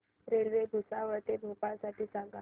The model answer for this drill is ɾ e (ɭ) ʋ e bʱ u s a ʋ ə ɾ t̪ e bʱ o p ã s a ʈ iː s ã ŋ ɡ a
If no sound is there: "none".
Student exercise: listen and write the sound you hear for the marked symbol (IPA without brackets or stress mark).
l